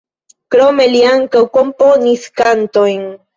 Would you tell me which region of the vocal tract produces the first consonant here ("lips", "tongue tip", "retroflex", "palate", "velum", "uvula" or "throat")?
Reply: velum